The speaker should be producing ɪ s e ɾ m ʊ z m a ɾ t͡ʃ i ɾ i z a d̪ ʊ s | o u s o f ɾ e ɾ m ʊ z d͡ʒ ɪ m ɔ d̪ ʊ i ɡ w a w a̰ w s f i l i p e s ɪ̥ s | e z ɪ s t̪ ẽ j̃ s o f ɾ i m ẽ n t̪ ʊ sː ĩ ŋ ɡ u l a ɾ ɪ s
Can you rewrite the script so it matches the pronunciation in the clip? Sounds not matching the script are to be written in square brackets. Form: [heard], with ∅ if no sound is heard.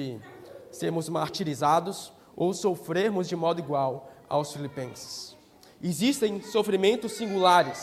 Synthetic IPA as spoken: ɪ s e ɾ m ʊ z m a ɾ t͡ʃ i ɾ i z a d̪ ʊ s | o [w] s o f ɾ e ɾ m ʊ z d͡ʒ ɪ m ɔ d̪ ʊ i ɡ w a w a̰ w s f i l i p [ẽ] s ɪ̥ s | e z [i] s t̪ ẽ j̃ s o f ɾ i m ẽ n t̪ ʊ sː ĩ ŋ ɡ u l a ɾ ɪ s